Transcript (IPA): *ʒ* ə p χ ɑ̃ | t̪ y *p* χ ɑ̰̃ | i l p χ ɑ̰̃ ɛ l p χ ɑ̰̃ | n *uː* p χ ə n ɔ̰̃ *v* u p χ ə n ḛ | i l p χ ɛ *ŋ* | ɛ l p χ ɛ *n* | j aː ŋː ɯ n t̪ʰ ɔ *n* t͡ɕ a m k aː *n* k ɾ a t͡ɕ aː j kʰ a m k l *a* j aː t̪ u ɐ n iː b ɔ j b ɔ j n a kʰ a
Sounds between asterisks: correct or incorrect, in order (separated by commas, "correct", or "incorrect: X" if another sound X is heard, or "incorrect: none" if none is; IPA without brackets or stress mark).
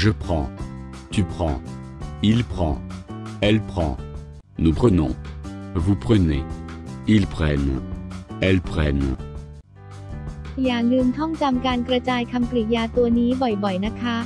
correct, correct, incorrect: u, correct, incorrect: n, correct, incorrect: ŋ, correct, incorrect: i